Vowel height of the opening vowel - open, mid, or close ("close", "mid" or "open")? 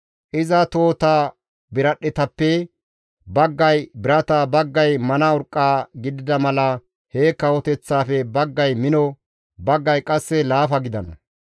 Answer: close